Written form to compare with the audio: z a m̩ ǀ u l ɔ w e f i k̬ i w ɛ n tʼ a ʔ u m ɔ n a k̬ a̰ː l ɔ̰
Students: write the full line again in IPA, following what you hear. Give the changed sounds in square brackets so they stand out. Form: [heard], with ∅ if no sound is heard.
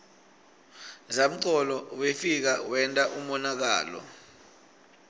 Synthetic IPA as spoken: z a m̩ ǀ [ɔ] l ɔ w e f i k̬ [a] w ɛ n tʼ a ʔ u m ɔ n a k̬ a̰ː l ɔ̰